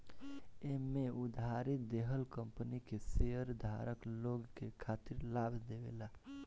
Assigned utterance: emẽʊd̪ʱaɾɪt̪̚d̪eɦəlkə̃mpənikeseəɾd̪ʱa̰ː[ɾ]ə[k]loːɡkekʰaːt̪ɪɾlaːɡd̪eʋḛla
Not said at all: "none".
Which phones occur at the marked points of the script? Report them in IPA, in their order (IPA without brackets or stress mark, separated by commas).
ɾ, k